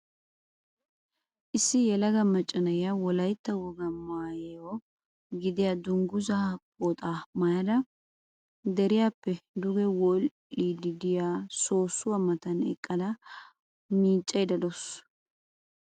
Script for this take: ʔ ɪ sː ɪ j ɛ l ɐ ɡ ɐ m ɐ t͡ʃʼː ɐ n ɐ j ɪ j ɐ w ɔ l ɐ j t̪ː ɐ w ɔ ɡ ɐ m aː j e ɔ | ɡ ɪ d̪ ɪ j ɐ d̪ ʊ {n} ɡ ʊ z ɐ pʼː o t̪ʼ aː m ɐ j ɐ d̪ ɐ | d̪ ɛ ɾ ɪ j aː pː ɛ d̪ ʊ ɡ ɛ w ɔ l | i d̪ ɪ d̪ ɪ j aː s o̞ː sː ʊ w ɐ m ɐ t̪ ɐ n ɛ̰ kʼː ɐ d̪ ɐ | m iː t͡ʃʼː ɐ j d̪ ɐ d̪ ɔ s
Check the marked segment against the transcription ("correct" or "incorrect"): incorrect